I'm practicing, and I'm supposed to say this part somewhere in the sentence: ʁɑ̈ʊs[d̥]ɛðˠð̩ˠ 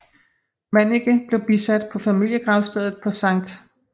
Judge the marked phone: correct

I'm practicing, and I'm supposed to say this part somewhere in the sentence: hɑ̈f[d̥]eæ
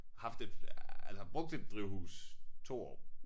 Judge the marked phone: correct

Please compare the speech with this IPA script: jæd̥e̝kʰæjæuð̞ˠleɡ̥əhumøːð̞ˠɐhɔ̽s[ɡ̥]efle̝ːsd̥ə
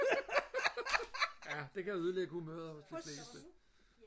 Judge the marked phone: incorrect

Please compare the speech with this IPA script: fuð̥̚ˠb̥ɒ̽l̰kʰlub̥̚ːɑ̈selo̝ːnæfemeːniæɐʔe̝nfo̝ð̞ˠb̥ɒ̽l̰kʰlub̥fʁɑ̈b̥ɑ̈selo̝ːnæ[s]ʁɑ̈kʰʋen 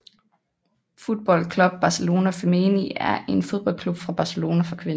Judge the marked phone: incorrect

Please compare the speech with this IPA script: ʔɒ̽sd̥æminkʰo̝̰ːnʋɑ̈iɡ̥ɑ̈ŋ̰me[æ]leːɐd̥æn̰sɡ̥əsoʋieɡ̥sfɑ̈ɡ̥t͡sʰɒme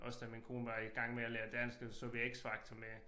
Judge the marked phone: correct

